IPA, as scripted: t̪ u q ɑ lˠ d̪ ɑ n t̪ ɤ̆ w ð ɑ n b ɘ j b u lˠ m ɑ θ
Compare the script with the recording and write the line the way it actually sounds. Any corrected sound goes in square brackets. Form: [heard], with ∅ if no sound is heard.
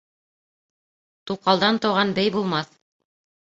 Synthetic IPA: t̪ u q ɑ lˠ d̪ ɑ n t̪ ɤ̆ w [ʁ] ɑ n b ɘ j b u lˠ m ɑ θ